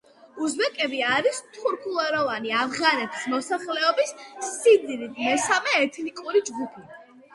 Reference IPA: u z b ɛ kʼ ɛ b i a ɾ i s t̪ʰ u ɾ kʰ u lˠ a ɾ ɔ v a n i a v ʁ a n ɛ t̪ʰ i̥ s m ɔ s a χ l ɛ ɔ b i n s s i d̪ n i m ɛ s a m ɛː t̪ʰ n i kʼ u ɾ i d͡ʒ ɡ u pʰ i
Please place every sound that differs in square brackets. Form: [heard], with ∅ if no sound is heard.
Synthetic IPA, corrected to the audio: u z b ɛ kʼ ɛ b i a ɾ i s t̪ʰ u ɾ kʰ u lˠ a ɾ ɔ v a n i a v ʁ a n ɛ t̪ʰ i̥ s m ɔ s a χ l ɛ ɔ b i [∅] s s i d̪ n i m ɛ s a m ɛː t̪ʰ n i kʼ u ɾ i d͡ʒ ɡ u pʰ i